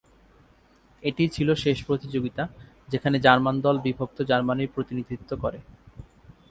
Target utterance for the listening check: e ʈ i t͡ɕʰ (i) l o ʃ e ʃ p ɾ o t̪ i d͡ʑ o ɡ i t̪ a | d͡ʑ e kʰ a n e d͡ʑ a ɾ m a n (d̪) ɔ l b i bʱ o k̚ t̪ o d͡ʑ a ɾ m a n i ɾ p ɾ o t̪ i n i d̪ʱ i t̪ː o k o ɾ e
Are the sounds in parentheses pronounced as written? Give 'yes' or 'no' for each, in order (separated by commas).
yes, yes